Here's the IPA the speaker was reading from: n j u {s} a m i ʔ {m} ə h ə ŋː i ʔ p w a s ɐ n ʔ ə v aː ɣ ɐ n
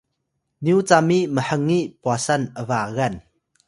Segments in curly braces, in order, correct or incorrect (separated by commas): incorrect, correct